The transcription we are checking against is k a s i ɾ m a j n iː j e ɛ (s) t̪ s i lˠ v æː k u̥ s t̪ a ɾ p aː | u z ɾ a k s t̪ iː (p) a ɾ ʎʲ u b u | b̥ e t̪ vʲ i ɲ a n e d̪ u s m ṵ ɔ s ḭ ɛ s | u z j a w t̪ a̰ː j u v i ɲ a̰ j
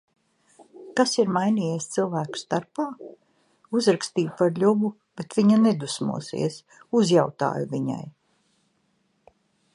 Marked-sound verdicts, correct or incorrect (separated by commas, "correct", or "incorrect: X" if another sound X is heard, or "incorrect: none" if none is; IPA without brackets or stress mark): correct, correct